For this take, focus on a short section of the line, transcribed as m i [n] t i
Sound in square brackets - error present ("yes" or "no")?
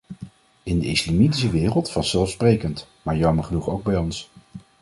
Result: yes